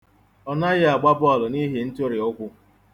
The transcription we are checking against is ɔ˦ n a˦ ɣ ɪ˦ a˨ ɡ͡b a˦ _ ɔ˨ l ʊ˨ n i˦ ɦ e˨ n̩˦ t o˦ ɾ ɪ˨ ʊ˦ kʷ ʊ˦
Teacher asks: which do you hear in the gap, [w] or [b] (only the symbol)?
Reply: b